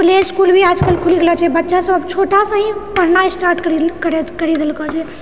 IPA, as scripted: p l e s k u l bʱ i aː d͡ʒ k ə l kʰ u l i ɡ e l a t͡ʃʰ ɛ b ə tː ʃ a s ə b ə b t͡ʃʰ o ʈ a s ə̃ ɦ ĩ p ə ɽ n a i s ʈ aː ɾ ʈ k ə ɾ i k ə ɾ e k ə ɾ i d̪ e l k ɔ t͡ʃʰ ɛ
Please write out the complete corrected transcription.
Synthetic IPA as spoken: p l e s k u l bʱ i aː d͡ʒ k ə l kʰ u l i ɡ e l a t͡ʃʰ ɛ b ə tː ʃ a s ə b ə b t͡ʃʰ o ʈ a s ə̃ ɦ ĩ p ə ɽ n a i s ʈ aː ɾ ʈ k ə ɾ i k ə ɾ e k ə ɾ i d̪ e l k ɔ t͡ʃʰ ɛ